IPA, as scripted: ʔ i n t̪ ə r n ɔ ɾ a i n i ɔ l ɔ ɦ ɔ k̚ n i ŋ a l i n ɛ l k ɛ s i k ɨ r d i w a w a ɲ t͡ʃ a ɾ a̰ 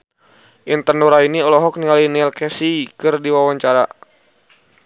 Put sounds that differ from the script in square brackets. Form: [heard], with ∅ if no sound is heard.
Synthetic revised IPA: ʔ i n t̪ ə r n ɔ ɾ a i n i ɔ l ɔ ɦ ɔ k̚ n i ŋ a l i n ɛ l k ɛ s i k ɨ r d i w a w a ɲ t͡ʃ a ɾ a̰